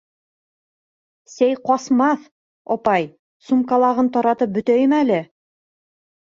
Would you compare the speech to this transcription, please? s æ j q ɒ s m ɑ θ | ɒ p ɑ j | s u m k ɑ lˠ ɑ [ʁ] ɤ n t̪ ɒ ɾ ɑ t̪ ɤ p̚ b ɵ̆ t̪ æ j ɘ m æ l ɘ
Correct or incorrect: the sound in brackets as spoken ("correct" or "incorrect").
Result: correct